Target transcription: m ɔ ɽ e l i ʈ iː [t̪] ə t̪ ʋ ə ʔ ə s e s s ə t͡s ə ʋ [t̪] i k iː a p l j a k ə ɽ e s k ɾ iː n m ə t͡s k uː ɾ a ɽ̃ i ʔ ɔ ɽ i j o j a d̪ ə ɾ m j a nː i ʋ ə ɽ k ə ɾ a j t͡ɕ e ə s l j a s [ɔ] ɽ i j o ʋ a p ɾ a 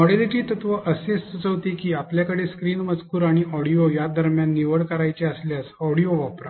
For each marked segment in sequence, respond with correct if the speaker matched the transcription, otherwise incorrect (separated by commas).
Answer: correct, correct, correct